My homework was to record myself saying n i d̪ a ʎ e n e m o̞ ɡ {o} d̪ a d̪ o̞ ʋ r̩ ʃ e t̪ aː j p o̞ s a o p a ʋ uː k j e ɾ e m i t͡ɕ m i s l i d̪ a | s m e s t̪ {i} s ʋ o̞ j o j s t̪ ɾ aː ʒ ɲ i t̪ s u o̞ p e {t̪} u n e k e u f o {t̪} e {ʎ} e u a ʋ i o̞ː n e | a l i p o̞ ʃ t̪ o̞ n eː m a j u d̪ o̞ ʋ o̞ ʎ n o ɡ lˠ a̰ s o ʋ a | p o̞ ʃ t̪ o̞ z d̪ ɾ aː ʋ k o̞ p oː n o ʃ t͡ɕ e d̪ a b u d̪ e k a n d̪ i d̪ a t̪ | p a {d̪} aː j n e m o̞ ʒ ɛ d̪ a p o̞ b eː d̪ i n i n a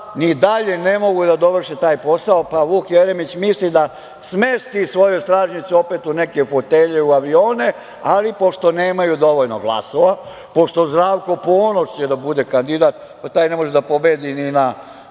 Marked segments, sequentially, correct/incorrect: incorrect, correct, correct, correct, correct, incorrect

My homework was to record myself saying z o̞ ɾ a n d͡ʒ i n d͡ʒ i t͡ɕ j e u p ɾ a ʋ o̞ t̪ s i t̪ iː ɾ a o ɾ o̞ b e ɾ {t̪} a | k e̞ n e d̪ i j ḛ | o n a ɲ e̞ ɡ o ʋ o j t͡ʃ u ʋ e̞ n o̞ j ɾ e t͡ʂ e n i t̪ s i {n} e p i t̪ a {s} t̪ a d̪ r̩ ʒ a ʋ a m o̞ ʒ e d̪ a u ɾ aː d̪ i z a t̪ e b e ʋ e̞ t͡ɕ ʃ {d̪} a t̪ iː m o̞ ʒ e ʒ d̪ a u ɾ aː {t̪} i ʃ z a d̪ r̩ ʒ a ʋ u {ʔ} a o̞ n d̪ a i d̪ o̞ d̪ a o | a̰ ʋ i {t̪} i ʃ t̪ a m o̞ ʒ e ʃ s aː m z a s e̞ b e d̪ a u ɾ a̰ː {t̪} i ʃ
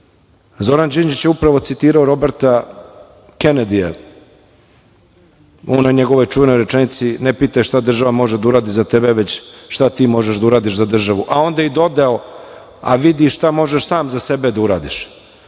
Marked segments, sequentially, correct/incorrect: correct, correct, incorrect, incorrect, incorrect, correct, incorrect, incorrect

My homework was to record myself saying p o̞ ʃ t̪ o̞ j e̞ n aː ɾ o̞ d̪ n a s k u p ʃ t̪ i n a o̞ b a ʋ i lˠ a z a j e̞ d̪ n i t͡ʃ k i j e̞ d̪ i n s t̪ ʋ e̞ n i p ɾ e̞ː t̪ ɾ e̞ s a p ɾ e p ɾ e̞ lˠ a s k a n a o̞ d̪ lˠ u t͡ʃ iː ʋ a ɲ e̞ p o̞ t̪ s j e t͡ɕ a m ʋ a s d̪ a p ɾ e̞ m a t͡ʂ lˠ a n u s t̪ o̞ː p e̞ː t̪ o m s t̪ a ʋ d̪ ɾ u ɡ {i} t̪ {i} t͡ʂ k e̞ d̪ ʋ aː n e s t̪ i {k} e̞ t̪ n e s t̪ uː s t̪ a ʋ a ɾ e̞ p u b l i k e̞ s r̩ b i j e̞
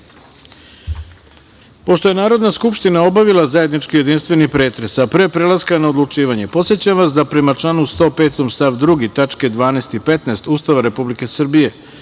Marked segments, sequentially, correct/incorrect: correct, incorrect, incorrect

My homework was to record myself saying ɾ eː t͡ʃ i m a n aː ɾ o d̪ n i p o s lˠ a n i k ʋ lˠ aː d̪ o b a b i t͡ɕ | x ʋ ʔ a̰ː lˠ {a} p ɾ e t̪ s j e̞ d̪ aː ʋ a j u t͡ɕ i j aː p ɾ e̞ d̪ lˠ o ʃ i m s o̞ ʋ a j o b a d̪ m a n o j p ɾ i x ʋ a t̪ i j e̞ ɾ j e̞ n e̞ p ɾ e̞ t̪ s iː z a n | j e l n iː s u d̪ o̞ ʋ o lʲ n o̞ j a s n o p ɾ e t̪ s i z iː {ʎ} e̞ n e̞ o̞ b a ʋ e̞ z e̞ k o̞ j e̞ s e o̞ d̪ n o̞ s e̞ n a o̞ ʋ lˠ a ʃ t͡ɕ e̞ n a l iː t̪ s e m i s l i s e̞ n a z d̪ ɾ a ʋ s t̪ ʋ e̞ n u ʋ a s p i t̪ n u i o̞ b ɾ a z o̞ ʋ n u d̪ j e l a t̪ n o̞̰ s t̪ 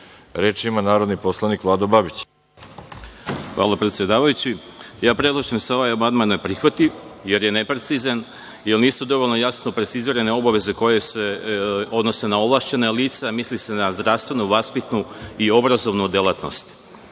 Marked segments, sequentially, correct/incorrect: correct, incorrect

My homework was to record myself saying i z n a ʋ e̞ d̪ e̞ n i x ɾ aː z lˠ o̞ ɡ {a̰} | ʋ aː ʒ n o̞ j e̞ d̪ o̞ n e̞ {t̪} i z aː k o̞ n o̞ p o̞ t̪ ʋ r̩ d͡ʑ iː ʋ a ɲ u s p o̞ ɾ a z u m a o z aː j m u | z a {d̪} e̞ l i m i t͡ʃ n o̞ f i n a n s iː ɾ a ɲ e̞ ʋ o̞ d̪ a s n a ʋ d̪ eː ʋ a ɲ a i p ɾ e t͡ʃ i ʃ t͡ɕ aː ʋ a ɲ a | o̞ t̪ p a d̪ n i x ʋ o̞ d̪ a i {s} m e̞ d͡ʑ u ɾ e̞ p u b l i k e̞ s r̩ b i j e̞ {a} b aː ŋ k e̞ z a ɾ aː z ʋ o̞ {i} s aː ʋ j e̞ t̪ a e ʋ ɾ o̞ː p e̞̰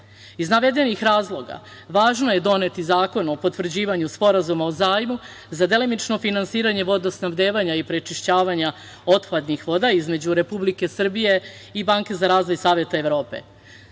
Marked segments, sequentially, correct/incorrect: correct, correct, correct, incorrect, incorrect, incorrect

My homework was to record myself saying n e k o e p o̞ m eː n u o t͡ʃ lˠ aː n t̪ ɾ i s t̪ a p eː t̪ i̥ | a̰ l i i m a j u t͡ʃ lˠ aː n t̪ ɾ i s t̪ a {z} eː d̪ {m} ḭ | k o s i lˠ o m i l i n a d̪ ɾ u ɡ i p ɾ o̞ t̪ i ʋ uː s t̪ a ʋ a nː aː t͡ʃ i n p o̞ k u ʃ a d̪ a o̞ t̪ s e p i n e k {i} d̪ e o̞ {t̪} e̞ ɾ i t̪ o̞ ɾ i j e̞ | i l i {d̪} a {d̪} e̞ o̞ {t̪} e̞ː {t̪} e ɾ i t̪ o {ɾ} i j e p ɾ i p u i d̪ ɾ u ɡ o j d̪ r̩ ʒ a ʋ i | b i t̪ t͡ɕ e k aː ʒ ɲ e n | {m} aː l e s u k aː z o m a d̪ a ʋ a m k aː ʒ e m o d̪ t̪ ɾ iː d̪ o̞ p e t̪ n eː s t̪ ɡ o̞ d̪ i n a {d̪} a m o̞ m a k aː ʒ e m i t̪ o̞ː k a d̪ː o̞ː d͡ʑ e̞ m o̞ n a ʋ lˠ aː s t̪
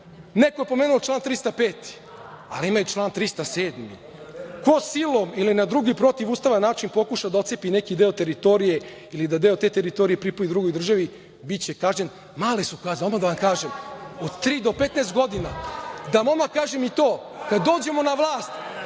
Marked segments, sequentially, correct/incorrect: incorrect, correct, correct, correct, correct, correct, correct, correct, correct, correct, correct

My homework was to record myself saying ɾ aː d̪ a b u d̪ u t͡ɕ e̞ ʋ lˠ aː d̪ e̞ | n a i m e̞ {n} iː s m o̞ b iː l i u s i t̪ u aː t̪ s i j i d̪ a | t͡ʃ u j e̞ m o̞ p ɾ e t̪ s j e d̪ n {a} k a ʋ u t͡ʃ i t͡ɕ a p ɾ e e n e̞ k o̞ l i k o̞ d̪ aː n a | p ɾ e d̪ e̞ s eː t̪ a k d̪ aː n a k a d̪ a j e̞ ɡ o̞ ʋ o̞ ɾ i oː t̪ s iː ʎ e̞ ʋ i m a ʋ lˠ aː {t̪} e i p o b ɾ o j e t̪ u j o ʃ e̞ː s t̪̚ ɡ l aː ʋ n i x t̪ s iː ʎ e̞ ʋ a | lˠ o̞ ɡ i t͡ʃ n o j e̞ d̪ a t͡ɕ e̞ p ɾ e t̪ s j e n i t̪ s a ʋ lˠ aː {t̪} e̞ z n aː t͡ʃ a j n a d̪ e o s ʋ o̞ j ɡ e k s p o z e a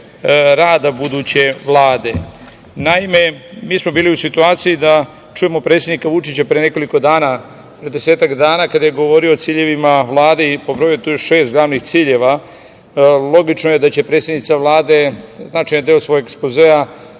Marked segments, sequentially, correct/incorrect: incorrect, incorrect, incorrect, incorrect

